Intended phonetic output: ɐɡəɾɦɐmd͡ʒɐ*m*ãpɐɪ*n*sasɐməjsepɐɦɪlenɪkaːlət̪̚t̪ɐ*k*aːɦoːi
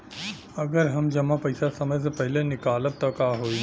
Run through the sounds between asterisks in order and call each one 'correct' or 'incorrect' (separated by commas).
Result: correct, incorrect, correct